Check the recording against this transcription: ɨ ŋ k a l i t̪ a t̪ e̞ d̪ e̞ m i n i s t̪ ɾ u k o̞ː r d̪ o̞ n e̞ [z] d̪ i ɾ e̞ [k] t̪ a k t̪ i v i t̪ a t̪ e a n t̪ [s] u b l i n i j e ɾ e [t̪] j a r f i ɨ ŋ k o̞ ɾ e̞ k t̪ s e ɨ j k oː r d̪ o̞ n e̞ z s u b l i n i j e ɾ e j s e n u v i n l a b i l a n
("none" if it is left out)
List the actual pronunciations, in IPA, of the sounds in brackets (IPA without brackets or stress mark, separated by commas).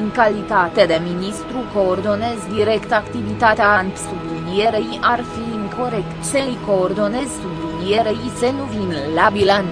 z, k, s, none